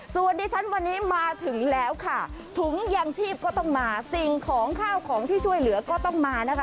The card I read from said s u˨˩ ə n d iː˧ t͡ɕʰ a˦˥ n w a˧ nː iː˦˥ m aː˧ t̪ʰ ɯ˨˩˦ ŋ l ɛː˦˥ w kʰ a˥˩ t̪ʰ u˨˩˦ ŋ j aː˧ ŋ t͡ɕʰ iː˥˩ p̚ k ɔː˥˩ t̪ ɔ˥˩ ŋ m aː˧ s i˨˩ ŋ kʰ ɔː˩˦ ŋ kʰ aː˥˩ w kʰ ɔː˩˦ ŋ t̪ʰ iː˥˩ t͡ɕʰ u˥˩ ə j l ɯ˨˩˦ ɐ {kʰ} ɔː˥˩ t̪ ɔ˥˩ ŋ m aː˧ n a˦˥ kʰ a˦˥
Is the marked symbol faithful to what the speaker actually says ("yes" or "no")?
no